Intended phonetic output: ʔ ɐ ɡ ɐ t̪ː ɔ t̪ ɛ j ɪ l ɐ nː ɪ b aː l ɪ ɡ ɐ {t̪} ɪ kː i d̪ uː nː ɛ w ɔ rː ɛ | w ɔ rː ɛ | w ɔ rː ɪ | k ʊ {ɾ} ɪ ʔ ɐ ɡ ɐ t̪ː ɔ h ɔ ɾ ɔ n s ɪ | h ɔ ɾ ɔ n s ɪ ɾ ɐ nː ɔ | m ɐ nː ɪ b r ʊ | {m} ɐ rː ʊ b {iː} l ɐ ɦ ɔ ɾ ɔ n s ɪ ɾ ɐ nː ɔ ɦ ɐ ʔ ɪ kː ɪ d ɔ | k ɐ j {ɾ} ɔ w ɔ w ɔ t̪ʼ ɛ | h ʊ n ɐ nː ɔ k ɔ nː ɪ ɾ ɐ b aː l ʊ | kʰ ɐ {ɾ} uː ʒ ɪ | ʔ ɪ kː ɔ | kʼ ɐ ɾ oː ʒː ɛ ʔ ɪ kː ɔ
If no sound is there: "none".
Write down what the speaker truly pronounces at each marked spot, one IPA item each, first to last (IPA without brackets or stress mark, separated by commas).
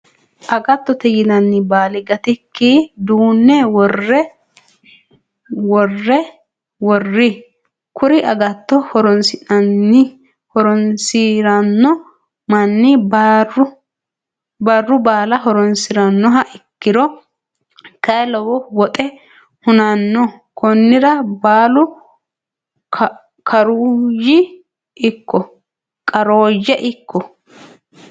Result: t̪, ɾ, b, aː, l, ɾ